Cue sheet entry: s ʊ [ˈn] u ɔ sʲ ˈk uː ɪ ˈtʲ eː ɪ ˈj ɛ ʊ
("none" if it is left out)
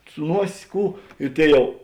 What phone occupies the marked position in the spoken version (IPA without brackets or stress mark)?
n